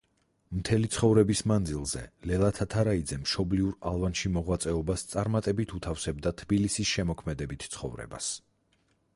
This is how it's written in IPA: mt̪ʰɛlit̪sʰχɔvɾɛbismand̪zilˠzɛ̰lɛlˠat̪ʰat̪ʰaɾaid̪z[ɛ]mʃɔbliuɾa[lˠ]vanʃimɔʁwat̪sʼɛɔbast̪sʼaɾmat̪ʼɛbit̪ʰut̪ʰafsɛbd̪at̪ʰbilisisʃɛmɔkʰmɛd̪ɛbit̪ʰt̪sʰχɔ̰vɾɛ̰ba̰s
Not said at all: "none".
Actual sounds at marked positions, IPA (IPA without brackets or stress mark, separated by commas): ɛ, lˠ